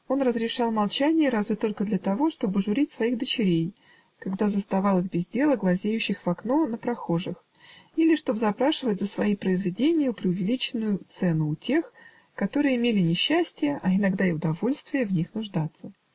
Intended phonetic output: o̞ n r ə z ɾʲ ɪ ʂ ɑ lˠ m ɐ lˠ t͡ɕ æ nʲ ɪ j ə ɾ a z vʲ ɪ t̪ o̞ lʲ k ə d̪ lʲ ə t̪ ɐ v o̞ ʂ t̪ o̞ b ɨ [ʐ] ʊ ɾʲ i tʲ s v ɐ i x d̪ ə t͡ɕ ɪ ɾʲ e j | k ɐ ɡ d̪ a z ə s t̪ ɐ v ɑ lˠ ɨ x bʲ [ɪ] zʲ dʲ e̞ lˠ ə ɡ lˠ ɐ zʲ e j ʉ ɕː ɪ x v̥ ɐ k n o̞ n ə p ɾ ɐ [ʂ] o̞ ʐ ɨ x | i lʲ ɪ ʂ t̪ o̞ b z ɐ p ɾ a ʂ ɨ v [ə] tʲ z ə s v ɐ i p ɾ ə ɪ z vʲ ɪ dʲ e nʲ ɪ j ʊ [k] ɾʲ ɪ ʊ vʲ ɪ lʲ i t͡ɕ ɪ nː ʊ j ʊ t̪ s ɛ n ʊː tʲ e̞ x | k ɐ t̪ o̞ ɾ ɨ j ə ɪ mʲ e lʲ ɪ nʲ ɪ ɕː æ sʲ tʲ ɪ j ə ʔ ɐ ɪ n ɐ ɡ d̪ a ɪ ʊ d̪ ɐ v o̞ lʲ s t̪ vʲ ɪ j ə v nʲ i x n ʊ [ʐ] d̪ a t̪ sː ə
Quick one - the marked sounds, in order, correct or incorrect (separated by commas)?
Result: correct, correct, incorrect, correct, incorrect, correct